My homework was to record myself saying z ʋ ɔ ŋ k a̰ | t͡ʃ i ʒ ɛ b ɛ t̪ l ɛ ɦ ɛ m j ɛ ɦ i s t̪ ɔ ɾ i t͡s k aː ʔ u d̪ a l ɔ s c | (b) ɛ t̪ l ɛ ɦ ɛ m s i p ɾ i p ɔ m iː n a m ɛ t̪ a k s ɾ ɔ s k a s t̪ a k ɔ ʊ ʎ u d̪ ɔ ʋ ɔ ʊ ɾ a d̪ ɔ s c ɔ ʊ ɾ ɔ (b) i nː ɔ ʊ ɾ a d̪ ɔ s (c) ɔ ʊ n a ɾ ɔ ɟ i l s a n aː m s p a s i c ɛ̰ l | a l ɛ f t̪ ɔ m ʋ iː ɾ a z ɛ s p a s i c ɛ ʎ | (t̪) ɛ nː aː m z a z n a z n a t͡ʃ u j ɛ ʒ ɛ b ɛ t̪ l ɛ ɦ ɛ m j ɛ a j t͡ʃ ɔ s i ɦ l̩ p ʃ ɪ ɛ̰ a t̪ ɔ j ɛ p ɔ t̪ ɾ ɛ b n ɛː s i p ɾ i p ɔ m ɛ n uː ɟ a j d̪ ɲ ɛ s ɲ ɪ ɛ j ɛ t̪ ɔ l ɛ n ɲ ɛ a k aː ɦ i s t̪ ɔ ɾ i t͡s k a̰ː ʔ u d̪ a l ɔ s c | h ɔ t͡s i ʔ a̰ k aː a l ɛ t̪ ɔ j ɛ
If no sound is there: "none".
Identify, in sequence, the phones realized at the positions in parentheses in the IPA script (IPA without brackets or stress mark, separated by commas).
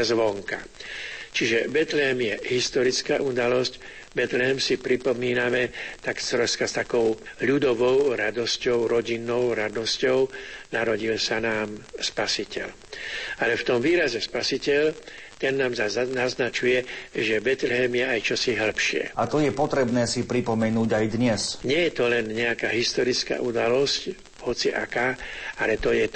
b, ɟ, c, t̪